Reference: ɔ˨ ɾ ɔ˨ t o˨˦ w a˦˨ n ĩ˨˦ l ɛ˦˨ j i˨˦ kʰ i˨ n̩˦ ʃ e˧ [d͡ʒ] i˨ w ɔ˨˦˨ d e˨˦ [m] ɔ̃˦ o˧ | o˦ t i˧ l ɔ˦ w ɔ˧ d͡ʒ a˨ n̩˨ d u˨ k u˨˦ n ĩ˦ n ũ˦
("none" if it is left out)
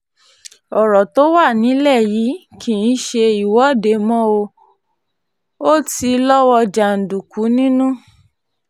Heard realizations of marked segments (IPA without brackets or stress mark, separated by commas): none, m